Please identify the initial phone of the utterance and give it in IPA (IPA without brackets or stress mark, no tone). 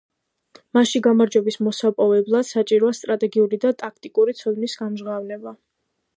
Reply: m